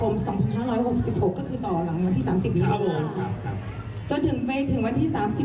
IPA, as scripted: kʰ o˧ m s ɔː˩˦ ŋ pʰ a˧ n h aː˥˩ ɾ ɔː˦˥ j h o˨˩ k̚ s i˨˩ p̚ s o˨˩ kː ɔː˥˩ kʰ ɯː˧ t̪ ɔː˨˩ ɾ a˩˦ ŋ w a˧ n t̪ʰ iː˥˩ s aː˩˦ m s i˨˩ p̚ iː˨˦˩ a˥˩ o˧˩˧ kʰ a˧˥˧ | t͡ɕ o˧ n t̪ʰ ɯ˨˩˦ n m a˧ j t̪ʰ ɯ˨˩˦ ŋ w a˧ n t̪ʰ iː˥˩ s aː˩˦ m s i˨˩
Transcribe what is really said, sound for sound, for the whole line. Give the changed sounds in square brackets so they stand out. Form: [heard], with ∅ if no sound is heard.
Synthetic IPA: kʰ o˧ m s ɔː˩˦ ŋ pʰ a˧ n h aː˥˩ ɾ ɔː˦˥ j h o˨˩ k̚ s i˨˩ p̚ [h] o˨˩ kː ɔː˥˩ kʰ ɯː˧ t̪ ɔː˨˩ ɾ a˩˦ ŋ w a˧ n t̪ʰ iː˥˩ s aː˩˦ m s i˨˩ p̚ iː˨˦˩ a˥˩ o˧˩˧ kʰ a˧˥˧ | t͡ɕ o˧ n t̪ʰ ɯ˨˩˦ [ŋ] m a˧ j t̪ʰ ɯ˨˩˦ ŋ w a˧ n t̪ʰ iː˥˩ s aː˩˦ m s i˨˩